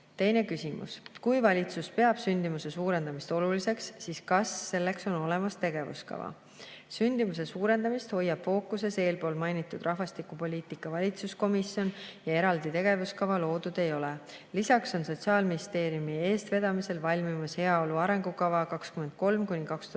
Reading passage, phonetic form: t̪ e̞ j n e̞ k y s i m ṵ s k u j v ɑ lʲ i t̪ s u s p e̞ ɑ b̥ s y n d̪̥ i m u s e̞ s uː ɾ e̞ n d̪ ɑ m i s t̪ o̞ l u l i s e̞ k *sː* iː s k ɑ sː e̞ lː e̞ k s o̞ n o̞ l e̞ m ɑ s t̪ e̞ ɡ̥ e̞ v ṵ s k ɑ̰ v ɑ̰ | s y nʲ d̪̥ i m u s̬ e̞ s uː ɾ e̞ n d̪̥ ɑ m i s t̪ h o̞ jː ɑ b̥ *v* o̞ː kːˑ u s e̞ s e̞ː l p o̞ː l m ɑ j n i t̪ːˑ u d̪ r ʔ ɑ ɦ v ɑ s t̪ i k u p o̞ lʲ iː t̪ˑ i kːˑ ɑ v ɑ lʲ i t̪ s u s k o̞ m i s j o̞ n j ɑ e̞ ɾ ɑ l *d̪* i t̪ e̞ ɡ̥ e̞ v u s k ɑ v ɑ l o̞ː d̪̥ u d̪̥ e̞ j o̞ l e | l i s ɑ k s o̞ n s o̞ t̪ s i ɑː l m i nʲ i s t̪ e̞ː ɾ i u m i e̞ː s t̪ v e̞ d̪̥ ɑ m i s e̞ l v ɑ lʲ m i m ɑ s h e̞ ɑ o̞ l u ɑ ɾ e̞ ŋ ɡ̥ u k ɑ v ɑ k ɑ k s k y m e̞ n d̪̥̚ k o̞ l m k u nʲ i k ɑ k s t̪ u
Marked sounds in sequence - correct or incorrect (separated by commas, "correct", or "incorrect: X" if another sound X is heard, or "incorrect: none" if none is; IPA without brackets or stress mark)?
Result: correct, incorrect: f, correct